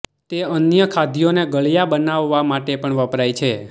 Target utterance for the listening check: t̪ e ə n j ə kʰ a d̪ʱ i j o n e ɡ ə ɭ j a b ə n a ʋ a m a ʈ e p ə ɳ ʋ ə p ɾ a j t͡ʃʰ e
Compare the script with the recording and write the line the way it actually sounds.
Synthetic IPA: t̪ e ə n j ə kʰ a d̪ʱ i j o n e ɡ ə ɭ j a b ə n a ʋː a m a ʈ e p ə ɳ ʋ ə p ɾ a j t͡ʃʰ e